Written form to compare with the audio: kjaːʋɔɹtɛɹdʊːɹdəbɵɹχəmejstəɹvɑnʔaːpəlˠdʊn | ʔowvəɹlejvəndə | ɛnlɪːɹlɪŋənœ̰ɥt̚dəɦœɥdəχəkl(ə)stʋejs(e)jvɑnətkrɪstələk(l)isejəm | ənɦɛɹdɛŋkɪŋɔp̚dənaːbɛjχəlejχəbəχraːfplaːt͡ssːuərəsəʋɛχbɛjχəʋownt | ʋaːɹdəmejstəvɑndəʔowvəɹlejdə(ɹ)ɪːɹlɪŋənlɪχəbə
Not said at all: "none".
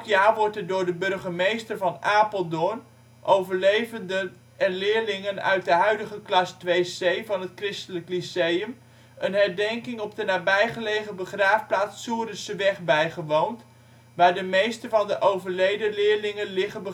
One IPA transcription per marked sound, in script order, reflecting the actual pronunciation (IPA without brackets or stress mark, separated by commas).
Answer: ɑ, e, l, l